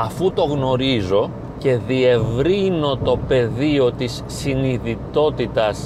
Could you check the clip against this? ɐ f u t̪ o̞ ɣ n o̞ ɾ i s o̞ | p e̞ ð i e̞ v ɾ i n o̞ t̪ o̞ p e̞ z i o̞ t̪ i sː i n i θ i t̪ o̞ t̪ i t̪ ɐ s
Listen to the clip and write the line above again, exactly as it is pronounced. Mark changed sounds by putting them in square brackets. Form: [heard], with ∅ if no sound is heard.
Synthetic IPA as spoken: ɐ f u t̪ o̞ ɣ n o̞ ɾ i [z] o̞ | [c] e̞ ð i e̞ v ɾ i n o̞ t̪ o̞ p e̞ [ð] i o̞ t̪ i sː i n i [ð] i t̪ o̞ t̪ i t̪ ɐ s